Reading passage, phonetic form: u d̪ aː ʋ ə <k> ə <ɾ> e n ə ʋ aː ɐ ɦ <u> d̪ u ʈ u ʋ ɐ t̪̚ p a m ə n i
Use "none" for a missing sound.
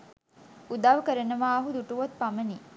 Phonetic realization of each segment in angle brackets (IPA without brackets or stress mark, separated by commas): k, ɾ, u